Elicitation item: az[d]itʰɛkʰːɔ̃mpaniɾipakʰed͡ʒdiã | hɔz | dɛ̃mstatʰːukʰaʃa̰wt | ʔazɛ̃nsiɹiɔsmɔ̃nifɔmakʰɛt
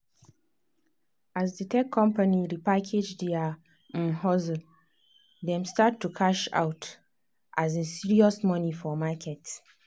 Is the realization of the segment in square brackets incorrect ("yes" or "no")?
no